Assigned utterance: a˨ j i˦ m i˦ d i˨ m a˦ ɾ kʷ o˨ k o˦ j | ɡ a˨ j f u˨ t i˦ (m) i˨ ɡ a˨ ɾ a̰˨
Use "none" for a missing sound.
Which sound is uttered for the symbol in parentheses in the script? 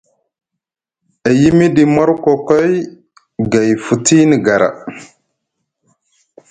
n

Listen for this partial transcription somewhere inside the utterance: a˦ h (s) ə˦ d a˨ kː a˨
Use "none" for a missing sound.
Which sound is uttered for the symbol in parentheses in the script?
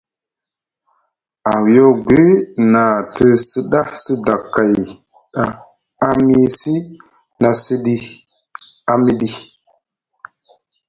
s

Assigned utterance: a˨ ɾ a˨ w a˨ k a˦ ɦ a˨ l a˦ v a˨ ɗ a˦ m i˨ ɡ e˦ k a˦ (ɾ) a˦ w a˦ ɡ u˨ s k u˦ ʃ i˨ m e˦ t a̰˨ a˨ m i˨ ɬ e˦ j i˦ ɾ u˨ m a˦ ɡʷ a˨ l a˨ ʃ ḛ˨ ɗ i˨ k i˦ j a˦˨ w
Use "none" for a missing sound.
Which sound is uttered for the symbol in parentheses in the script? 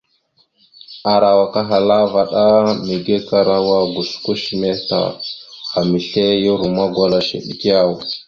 ɾ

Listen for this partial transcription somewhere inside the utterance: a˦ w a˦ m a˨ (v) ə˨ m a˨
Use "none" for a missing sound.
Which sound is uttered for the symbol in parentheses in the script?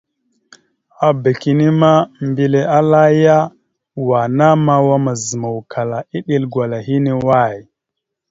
z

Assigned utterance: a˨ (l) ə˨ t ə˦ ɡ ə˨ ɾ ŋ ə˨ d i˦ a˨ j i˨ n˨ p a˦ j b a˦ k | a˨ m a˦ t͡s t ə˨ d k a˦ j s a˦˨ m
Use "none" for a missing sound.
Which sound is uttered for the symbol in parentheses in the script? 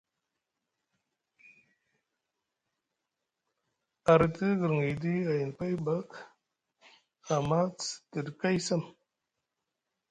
ɾ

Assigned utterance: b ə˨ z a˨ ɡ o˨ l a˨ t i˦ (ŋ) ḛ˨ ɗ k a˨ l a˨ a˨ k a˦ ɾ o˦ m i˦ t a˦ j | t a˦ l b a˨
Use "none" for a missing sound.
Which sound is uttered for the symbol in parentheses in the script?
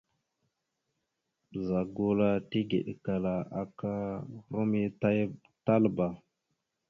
ɡ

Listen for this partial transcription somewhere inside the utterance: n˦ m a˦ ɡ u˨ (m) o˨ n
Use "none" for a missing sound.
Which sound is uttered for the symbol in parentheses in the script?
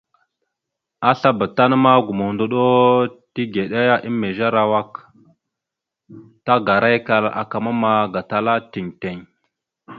m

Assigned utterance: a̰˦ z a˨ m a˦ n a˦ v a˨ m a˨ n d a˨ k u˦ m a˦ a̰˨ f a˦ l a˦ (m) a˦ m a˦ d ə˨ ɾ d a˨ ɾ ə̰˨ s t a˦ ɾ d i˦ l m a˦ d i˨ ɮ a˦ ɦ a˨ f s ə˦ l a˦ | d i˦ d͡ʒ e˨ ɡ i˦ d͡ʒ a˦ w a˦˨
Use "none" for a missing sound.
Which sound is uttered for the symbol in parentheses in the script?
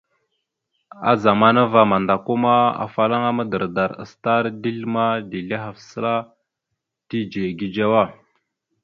ŋ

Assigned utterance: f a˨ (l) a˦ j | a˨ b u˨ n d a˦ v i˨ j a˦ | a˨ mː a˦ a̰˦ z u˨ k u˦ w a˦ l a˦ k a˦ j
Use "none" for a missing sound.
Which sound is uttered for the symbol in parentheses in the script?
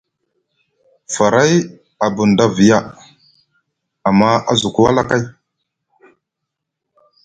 ɾ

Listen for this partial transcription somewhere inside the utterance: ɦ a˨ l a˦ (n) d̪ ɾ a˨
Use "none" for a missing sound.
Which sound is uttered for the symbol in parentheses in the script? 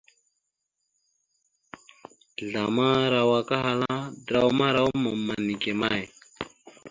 none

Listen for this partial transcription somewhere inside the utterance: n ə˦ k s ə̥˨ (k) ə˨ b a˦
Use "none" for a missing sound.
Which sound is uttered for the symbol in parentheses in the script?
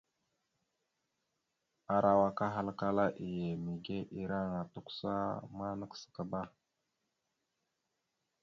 k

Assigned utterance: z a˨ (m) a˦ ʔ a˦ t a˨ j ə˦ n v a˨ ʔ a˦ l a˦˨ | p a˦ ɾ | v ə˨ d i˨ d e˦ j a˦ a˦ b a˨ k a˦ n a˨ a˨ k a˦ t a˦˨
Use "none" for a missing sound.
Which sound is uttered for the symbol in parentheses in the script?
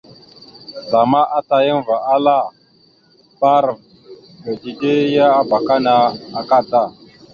m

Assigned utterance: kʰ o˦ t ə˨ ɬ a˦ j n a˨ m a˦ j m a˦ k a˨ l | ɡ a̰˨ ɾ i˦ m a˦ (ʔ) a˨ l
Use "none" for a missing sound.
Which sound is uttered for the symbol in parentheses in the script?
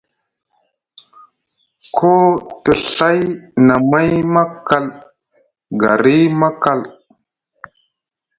k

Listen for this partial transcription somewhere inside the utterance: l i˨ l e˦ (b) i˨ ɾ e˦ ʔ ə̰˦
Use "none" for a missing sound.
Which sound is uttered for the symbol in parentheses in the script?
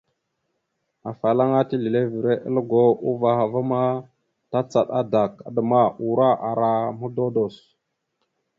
v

